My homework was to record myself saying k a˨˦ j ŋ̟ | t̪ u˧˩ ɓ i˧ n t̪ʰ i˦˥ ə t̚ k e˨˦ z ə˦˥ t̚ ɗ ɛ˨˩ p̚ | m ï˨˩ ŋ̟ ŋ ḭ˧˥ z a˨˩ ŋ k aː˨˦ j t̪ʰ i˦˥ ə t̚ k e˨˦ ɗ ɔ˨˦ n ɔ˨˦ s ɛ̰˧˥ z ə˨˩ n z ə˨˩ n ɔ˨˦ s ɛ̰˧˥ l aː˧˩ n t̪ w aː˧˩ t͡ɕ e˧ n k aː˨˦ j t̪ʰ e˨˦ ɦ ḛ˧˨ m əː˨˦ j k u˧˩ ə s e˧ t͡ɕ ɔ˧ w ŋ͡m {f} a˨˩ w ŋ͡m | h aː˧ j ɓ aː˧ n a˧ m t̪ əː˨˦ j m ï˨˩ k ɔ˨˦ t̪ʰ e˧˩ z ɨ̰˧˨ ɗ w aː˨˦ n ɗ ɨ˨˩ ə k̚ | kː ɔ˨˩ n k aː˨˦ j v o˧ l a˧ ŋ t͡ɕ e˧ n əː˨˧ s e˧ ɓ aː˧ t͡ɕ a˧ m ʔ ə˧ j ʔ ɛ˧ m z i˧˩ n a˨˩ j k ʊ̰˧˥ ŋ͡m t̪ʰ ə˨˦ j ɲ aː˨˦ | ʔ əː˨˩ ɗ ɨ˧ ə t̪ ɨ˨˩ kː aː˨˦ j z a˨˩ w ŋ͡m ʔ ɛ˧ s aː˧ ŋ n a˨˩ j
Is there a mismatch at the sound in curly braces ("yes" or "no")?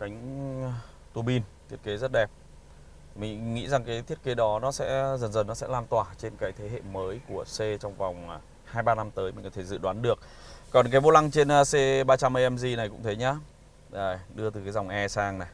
yes